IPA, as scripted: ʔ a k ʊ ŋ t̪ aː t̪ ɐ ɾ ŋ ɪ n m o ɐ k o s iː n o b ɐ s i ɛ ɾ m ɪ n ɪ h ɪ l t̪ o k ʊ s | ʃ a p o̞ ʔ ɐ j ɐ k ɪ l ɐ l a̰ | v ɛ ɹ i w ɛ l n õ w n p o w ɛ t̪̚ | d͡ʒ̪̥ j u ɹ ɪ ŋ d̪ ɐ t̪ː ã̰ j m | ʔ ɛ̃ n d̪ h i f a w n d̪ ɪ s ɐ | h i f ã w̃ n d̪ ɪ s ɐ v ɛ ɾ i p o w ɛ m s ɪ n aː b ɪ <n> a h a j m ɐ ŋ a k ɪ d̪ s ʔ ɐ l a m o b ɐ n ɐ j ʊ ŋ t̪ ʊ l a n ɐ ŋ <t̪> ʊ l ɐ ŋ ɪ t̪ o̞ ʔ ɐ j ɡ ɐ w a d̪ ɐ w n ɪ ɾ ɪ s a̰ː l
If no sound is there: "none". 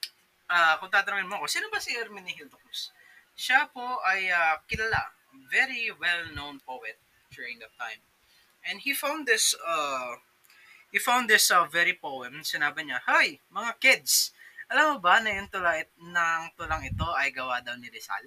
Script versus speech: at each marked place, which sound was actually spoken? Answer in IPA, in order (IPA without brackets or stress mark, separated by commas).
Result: ɲ, t̪